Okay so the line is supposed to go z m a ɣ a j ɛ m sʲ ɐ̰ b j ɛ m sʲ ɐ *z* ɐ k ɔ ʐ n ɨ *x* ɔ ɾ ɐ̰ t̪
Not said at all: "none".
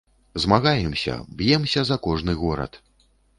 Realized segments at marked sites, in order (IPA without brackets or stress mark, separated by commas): z, ɣ